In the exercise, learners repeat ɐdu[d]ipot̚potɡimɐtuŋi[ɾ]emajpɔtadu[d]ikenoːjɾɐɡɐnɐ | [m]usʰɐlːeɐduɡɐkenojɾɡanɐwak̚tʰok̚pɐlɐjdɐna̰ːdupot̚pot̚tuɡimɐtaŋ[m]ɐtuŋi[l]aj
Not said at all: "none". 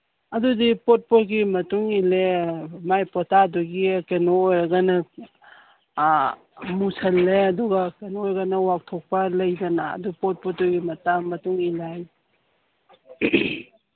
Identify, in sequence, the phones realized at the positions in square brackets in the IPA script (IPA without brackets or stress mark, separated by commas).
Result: d, l, ɡ, m, m, l